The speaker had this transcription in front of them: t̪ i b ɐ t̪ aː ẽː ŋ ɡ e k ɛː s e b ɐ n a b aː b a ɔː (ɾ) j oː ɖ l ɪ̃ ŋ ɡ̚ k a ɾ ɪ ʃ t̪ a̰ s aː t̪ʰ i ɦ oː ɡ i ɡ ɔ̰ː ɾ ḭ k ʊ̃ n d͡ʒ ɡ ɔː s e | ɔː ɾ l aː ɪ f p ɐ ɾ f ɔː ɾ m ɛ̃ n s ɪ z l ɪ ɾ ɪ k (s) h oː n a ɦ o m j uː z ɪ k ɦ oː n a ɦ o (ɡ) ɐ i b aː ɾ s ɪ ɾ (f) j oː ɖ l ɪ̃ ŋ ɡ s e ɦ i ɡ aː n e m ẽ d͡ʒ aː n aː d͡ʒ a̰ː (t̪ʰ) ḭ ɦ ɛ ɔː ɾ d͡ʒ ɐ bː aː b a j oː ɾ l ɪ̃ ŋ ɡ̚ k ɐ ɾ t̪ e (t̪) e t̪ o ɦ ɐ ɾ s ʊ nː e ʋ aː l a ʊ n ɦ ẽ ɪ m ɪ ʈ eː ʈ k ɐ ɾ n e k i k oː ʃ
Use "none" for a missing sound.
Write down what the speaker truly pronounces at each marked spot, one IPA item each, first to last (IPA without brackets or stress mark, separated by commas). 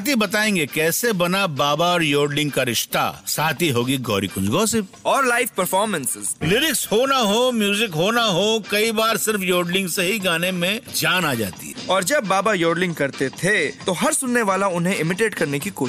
ɾ, s, k, f, t̪, t̪ʰ